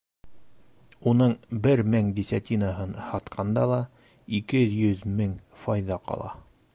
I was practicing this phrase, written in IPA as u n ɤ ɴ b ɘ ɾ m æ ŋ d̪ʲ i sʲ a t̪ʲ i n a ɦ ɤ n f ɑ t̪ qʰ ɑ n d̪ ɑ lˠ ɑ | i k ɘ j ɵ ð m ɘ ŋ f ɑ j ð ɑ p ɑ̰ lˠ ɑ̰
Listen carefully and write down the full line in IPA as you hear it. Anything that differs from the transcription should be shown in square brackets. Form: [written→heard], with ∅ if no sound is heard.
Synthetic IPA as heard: u n ɤ ɴ b ɘ ɾ m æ ŋ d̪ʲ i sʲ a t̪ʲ i n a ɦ ɤ n [f→h] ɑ t̪ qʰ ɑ n d̪ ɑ lˠ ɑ | i k ɘ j ɵ ð m ɘ ŋ f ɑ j ð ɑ [p→q] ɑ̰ lˠ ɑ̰